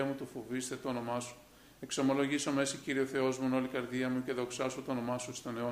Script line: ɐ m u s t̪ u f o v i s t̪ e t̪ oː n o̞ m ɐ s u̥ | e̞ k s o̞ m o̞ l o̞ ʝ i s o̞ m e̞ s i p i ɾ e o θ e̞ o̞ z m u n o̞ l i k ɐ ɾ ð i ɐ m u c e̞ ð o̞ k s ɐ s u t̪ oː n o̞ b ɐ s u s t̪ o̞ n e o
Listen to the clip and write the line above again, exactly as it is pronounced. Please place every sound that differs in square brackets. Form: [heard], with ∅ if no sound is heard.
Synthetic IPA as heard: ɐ m u [∅] t̪ u f o v i s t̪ e t̪ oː n o̞ m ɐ s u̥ | e̞ k s o̞ m o̞ l o̞ ʝ i s o̞ m e̞ s i [c] i ɾ [i] o θ e̞ o̞ z m u n o̞ l i k ɐ ɾ ð i ɐ m u c e̞ ð o̞ k s ɐ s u t̪ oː n o̞ [m] ɐ s u s t̪ o̞ n e o